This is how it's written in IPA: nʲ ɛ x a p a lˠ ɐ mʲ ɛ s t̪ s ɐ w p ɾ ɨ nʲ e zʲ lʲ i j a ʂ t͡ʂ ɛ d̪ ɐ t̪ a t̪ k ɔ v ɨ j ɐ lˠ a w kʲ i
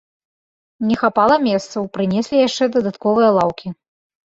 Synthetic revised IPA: nʲ ɛ x a p a lˠ ɐ mʲ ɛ s t̪ s ɐ w p ɾ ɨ nʲ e sʲ lʲ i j a ʂ t͡ʂ ɛ d̪ ɐ d̪ a t̪ k ɔ v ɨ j ɐ lˠ a w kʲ i

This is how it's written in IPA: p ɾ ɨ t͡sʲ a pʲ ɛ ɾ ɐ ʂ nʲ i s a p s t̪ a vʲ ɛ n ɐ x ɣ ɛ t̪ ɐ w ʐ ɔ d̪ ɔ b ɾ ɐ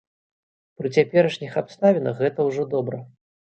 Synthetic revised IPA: p ɾ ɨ t͡sʲ a pʲ ɛ ɾ ɐ ʂ nʲ i x a p s t̪ a vʲ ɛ n ɐ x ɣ ɛ t̪ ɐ w ʐ ɔ d̪ ɔ b ɾ ɐ

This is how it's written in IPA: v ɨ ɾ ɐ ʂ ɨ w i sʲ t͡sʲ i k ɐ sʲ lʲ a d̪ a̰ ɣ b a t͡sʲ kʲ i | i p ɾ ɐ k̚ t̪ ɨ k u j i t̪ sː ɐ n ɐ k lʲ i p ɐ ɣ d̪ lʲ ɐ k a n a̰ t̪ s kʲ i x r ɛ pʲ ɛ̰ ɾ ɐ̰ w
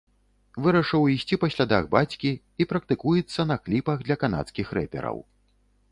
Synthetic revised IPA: v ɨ ɾ ɐ ʂ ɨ w i sʲ t͡sʲ i p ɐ sʲ lʲ a d̪ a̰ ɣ b a t͡sʲ kʲ i | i p ɾ ɐ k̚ t̪ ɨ k u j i t̪ sː ɐ n ɐ k lʲ i p ɐ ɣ d̪ lʲ ɐ k a n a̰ t̪ s kʲ i x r ɛ pʲ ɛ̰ ɾ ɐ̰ w

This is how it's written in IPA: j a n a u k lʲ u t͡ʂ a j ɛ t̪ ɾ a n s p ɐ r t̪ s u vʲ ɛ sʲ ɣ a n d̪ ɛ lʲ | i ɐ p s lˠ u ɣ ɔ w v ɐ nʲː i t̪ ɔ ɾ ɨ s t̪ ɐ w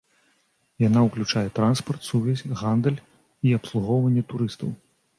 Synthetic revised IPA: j a n a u k lʲ u t͡ʂ a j ɛ t̪ ɾ a n s p ɐ r t̪ s u vʲ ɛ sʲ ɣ a n d̪ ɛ lʲ | i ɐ p s lˠ u ɣ ɔ w v ɐ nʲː ɛ t̪ u ɾ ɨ s t̪ ɐ w

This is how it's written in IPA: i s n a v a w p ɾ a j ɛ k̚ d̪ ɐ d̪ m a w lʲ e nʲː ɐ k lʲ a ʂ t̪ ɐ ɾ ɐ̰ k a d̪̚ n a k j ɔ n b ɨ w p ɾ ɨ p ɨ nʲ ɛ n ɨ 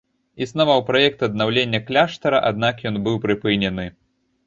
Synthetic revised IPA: i s n a v a w p ɾ a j ɛ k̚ t̪ ɐ d̪ n a w lʲ e nʲː ɐ k lʲ a ʂ t̪ ɐ ɾ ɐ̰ ʔ a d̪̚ n a k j ɔ n b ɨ w p ɾ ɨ p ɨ nʲ ɛ n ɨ

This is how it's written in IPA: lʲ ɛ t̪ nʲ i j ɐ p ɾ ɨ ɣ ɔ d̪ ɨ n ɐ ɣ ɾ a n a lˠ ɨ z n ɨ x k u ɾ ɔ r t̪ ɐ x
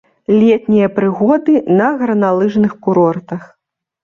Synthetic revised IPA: lʲ ɛ t̪ nʲ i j ɐ p ɾ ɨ ɣ ɔ d̪ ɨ n ɐ ɣ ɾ ɐ n a lˠ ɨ ʐ n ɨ x k u ɾ ɔ r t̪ ɐ x

